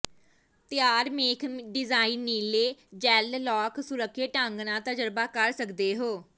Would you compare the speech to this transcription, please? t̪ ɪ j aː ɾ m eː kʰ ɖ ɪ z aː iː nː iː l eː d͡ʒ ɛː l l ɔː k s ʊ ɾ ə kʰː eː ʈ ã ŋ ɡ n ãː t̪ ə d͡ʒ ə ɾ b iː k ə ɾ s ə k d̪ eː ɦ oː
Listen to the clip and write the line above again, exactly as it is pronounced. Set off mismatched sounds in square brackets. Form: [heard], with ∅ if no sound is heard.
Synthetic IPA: t̪ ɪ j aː ɾ m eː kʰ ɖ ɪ z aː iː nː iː l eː d͡ʒ ɛː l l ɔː k s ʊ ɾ ə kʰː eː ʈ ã ŋ ɡ n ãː t̪ ə d͡ʒ ə ɾ b [aː] k ə ɾ s ə k d̪ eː ɦ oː